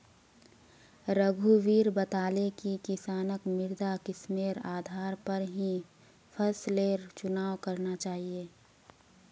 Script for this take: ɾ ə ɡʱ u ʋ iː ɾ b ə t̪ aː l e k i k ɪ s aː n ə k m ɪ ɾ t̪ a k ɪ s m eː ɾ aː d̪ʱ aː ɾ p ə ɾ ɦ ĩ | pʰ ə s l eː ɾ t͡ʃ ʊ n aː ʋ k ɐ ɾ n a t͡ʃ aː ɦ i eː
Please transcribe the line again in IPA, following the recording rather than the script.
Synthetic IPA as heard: ɾ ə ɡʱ u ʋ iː ɾ b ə t̪ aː l e k i k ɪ s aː n ə k m ɪ ɾ d̪ a k ɪ s m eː ɾ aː d̪ʱ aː ɾ p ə ɾ ɦ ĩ | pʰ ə s l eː ɾ t͡ʃ ʊ n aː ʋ k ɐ ɾ n a t͡ʃ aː ɦ i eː